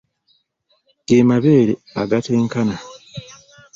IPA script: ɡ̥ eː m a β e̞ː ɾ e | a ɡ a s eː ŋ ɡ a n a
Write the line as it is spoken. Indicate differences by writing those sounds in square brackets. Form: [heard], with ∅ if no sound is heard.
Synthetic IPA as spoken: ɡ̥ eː m a β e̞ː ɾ e | a ɡ a [t] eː ŋ [k] a n a